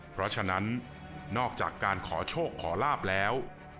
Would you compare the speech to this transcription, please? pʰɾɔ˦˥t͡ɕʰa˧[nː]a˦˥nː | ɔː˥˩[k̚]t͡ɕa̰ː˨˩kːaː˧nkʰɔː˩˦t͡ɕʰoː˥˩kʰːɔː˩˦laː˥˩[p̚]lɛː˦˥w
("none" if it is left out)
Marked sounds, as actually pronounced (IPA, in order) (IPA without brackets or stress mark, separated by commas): n, k̚, p̚